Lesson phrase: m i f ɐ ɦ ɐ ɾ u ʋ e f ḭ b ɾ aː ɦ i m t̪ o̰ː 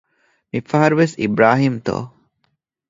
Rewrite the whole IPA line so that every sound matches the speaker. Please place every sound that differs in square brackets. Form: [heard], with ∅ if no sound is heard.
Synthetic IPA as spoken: m i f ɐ ɦ ɐ ɾ u ʋ e [s] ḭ b ɾ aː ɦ i m t̪ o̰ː